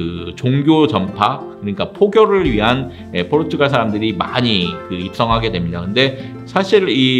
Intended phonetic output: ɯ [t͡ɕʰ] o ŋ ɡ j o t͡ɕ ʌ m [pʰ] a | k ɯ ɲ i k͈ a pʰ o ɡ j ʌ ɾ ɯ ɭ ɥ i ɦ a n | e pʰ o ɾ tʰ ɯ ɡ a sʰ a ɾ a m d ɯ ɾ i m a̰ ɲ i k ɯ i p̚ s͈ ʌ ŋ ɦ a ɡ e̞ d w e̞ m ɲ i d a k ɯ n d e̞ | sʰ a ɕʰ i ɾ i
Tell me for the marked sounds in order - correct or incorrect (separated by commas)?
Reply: incorrect, correct